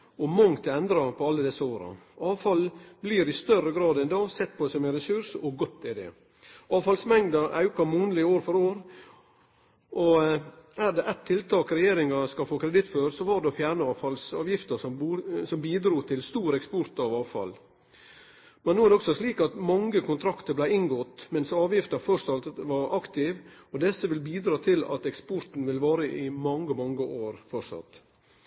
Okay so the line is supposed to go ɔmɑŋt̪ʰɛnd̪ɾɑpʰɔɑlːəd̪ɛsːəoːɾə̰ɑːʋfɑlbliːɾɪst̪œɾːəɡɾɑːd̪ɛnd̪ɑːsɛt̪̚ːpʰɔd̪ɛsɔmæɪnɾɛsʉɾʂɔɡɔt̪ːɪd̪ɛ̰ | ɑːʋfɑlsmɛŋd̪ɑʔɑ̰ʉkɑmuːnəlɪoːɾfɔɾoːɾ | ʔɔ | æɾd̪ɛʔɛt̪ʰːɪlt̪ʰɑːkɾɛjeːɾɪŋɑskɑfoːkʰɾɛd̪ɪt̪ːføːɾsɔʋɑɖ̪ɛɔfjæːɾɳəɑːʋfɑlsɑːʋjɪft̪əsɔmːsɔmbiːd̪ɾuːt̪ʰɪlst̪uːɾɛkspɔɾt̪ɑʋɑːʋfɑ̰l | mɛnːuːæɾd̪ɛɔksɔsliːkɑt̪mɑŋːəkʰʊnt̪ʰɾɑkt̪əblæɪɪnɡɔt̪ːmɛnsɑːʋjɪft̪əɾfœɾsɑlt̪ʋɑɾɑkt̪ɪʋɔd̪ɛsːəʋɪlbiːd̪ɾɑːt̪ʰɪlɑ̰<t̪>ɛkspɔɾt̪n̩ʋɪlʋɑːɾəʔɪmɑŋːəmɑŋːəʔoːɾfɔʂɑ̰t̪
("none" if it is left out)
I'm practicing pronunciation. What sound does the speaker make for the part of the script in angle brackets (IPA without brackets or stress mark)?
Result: t̪